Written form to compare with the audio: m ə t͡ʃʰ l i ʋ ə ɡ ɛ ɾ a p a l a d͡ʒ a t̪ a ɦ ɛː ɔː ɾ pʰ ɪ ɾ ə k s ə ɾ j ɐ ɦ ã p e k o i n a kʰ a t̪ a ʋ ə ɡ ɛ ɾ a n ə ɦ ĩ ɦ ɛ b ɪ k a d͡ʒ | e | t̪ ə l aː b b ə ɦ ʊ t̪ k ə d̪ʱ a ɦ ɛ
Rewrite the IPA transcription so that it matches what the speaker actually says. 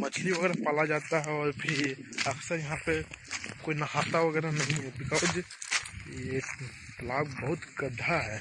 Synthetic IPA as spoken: m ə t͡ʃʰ l i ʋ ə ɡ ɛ ɾ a p a l a d͡ʒ a t̪ a ɦ ɛ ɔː ɾ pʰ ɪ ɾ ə k s ə ɾ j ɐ ɦ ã p e k o i n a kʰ a t̪ a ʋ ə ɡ ɛ ɾ a n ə ɦ ĩ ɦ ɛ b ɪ k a d͡ʒ | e | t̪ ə l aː b b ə ɦ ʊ t̪ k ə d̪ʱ a ɦ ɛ